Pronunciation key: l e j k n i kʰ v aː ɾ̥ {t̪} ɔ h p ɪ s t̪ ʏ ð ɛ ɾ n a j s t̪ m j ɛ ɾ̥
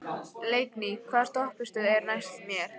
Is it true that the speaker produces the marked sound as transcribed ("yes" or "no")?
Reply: yes